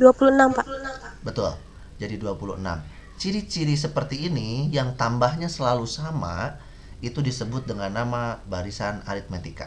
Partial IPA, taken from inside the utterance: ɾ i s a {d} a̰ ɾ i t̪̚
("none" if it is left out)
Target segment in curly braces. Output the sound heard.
n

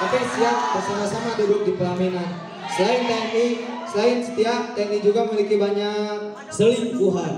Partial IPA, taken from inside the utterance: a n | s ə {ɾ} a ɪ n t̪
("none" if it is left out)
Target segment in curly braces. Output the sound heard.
l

